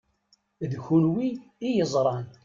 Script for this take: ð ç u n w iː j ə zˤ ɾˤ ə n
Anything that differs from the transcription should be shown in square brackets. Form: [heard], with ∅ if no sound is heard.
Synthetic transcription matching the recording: ð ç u n w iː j ə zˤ ɾˤ [ɑ] n